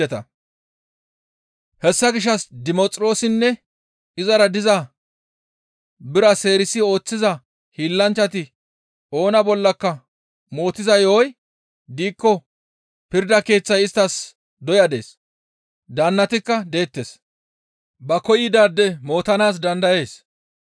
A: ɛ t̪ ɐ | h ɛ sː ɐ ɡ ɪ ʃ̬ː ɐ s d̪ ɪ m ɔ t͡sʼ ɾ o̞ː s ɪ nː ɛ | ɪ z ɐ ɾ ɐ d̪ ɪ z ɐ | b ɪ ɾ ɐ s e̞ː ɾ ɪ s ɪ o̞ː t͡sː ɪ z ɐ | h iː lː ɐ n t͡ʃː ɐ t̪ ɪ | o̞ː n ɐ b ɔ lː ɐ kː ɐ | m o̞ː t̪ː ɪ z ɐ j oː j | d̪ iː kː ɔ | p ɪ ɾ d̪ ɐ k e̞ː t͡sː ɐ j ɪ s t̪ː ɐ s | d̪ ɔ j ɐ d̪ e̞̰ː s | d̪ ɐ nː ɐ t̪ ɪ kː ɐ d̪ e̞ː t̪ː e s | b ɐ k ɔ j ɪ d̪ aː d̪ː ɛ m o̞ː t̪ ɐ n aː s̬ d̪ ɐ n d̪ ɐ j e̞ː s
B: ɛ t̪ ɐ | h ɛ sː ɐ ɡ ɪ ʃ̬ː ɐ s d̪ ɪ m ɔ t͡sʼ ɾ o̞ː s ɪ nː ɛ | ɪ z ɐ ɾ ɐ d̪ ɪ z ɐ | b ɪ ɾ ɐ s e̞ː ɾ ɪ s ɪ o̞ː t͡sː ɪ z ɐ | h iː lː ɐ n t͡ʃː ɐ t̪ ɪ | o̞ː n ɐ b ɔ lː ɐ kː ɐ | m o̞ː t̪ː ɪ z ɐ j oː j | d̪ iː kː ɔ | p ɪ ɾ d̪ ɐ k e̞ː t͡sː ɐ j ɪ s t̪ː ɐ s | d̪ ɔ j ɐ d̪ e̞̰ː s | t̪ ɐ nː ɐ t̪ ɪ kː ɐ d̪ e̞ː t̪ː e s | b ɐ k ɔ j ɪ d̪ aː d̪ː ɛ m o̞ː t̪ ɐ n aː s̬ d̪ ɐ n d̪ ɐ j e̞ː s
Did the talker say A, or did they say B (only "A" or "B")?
A